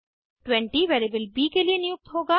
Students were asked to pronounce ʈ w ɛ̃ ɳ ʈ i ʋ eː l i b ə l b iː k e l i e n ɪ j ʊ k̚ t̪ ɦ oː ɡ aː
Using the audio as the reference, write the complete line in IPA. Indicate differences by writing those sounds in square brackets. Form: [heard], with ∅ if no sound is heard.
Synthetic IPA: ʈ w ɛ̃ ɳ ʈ i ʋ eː [ɾ] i b ə l b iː k e l i e n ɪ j ʊ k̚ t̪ ɦ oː ɡ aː